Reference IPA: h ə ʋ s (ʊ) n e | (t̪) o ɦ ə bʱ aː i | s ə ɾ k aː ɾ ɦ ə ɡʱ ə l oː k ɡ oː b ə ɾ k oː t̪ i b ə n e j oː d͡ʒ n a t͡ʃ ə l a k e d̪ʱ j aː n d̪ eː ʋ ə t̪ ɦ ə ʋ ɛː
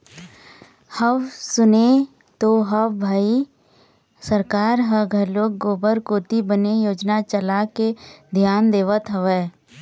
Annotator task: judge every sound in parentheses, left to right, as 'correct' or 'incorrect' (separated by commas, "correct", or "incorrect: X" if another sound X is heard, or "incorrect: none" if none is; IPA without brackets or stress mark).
correct, correct